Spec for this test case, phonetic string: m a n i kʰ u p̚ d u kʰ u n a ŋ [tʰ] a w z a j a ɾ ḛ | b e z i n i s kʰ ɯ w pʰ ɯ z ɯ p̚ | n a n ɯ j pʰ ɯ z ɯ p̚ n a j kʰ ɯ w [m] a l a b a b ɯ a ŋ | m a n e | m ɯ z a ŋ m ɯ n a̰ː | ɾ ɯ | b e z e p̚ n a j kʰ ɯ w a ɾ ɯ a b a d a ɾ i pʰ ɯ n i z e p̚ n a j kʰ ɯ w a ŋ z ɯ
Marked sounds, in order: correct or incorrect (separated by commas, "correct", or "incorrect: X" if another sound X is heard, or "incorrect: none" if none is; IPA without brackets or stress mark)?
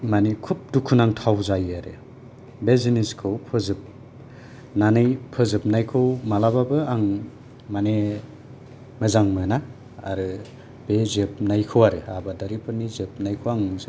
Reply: correct, correct